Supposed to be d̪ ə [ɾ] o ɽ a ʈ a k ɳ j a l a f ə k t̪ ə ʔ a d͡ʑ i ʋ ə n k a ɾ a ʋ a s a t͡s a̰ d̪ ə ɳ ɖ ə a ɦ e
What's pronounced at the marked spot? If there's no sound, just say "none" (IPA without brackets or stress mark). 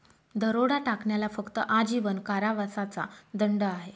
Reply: ɾ